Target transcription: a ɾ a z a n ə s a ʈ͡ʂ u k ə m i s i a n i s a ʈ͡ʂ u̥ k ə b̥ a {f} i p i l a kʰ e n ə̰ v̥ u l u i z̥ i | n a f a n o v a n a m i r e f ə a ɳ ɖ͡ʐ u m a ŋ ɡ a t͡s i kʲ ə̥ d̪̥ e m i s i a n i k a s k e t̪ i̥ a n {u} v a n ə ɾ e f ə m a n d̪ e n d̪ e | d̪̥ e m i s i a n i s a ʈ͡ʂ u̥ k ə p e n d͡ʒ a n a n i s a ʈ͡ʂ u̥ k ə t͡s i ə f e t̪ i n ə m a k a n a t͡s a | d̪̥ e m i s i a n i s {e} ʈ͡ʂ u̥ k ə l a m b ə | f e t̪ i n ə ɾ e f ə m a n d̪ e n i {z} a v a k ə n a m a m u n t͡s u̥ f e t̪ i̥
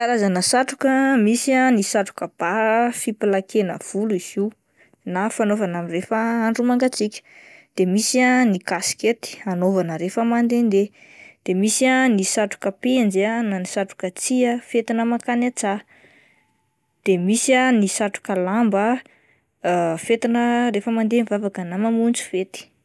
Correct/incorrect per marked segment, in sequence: correct, incorrect: o, incorrect: a, incorrect: v

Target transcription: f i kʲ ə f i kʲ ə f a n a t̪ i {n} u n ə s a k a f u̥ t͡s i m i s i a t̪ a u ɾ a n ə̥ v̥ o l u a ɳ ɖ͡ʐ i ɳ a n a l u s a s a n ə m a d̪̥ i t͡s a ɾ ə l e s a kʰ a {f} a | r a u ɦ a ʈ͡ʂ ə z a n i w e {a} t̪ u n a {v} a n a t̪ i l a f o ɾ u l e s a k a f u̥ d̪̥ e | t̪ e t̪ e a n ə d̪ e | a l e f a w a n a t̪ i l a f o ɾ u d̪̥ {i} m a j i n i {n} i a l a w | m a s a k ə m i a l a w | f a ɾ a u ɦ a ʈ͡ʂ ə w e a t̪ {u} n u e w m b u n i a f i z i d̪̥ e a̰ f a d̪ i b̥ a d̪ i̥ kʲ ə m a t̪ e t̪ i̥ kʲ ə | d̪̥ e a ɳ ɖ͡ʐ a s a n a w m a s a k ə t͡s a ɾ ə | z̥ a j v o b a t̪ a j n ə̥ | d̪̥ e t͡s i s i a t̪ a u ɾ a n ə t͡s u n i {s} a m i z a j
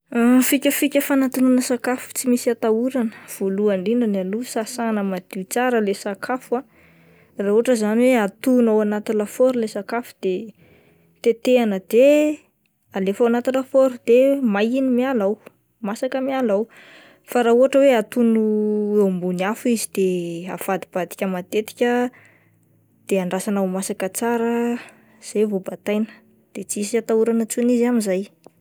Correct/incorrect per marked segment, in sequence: correct, correct, correct, incorrect: w, incorrect: e, incorrect: m, correct, incorrect: z

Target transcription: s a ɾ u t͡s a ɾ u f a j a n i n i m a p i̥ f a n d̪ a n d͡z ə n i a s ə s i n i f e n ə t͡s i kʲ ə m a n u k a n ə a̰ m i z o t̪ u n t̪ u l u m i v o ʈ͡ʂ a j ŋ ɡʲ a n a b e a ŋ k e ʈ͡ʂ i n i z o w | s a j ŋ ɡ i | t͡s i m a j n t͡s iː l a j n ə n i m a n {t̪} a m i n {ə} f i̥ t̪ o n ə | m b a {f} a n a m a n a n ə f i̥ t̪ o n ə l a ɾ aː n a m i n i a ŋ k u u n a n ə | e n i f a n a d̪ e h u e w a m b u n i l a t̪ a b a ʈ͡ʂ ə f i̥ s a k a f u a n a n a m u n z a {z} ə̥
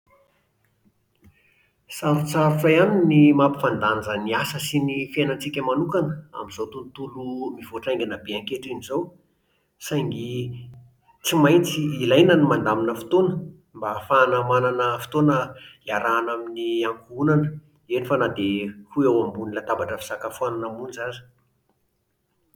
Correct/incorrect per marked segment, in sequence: incorrect: d̪, correct, correct, correct

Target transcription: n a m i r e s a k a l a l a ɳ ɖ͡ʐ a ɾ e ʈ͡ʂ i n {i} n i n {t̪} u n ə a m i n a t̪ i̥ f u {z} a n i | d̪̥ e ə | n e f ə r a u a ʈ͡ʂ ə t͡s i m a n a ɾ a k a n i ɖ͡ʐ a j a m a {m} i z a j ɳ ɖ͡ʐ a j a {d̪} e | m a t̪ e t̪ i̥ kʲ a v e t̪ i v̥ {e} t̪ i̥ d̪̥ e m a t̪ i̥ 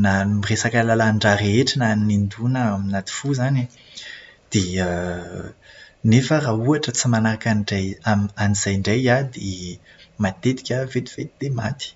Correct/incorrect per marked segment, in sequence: incorrect: a, incorrect: d̪, correct, incorrect: n, correct, correct

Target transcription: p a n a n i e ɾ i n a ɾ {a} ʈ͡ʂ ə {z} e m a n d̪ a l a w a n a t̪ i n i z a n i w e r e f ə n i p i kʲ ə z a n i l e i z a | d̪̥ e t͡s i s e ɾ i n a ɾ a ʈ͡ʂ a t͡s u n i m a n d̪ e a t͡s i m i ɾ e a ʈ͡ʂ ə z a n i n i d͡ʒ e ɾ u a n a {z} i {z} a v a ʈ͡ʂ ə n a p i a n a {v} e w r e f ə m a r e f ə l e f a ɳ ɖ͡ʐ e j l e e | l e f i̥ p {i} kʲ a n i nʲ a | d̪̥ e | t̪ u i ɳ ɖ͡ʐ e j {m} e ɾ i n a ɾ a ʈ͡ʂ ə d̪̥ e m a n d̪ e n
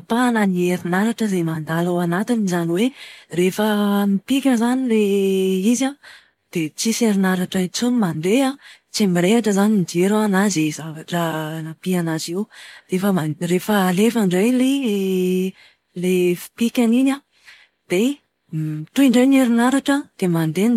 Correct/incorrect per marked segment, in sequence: correct, correct, correct, correct, incorrect: z, correct, incorrect: n

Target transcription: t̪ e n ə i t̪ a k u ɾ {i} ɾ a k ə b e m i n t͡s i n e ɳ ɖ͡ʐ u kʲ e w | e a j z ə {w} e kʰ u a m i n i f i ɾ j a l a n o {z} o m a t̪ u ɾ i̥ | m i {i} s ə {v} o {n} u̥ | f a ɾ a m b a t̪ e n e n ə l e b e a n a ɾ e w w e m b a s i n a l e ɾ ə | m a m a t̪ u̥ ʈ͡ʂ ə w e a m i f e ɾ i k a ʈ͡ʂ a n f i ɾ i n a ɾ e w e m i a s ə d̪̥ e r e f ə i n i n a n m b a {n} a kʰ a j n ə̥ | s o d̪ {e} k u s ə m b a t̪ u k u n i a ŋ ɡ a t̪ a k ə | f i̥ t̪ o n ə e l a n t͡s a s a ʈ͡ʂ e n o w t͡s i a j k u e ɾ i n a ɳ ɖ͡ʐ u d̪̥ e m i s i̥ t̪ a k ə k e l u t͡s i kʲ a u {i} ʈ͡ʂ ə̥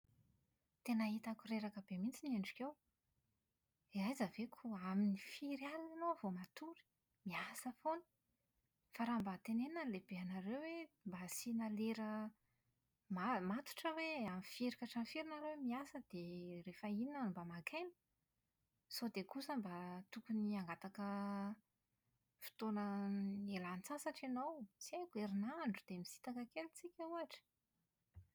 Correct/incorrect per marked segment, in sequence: incorrect: e, incorrect: v, incorrect: v, incorrect: a, incorrect: f, correct, incorrect: m, correct, incorrect: a

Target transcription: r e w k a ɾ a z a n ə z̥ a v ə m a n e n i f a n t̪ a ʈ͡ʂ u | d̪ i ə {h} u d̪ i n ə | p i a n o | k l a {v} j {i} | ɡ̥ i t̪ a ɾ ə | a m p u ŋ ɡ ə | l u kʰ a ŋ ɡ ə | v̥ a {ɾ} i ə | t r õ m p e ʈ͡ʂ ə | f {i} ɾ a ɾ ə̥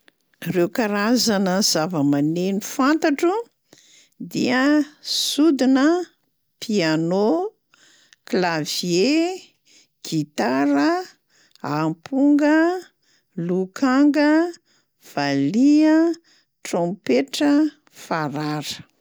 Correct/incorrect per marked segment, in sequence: incorrect: s, correct, incorrect: e, incorrect: l, incorrect: a

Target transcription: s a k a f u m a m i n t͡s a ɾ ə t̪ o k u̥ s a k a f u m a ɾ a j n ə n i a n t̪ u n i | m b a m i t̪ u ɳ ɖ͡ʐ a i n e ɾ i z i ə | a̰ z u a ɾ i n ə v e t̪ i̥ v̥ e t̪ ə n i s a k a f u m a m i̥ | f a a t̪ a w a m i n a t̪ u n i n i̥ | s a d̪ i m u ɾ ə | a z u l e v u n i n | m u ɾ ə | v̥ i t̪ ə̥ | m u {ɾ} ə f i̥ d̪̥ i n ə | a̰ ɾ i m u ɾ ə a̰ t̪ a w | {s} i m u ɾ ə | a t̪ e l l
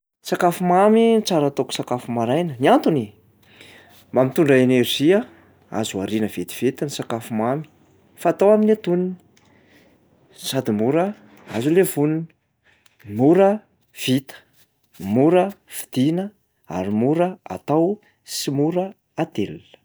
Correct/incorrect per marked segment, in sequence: correct, correct

